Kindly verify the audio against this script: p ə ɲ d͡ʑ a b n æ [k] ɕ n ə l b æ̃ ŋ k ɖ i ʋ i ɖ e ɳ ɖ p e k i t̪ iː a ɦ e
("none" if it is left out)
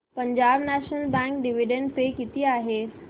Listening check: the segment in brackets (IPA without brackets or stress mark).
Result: none